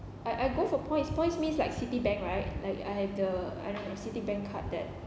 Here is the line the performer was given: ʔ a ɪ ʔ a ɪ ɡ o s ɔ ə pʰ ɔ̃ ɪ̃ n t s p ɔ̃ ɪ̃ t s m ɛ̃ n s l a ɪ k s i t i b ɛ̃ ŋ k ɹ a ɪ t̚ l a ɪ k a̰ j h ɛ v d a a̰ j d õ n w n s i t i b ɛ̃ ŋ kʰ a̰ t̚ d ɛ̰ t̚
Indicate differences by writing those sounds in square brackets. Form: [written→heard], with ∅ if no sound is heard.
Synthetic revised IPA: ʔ a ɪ ʔ a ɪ ɡ o [s→f] ɔ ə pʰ ɔ̃ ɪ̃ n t s p ɔ̃ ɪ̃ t s m [ɛ̃→ĩ] n s l a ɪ k s i t i b ɛ̃ ŋ k ɹ a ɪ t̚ l a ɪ k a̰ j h ɛ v d [a→ə] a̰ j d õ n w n s i t i b ɛ̃ ŋ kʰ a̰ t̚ d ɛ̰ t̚